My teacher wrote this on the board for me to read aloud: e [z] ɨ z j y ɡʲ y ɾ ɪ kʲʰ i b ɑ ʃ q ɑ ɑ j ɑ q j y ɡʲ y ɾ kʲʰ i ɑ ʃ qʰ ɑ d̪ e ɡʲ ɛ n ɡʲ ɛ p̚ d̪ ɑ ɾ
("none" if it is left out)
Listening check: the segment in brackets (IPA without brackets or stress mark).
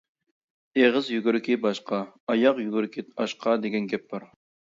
ʁ